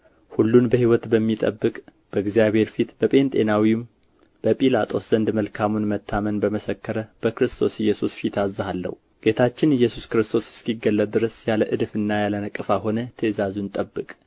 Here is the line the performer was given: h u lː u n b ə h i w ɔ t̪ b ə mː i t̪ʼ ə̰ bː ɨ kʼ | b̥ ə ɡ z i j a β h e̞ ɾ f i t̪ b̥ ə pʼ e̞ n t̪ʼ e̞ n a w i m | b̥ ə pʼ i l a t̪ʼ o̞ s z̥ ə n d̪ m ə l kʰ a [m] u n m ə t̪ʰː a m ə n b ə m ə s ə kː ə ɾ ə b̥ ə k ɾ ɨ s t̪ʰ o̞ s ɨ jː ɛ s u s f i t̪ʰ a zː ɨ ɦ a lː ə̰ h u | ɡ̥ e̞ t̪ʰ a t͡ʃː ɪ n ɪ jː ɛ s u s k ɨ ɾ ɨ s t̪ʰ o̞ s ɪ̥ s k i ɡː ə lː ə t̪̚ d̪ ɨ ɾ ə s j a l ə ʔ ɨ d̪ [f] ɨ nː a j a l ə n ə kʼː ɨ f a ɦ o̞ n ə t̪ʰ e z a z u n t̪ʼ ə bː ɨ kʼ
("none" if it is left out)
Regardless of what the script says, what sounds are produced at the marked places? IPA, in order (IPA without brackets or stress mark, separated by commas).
m, f